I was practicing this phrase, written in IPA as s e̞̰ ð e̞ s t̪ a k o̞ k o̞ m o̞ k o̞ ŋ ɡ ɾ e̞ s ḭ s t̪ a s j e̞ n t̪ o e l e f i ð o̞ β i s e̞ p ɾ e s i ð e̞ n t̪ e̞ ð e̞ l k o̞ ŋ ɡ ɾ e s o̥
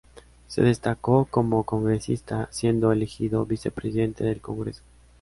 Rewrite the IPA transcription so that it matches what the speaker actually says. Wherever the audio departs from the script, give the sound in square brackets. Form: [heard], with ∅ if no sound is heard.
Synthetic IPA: s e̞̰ ð e̞ s t̪ a k o̞ k o̞ m o̞ k o̞ ŋ ɡ ɾ e̞ s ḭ s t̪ a s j e̞ n [d̪] o e l e [x] i ð o̞ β i s e̞ p ɾ e s i ð e̞ n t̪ e̞ ð e̞ l k o̞ ŋ ɡ ɾ e s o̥